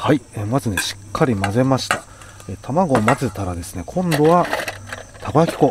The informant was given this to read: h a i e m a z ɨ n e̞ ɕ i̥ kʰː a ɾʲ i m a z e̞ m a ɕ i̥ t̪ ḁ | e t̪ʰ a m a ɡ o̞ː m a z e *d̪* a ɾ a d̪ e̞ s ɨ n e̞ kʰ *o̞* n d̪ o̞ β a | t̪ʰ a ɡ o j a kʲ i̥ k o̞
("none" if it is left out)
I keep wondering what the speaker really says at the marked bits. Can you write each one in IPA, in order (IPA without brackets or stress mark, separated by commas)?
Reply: t̪, õ̞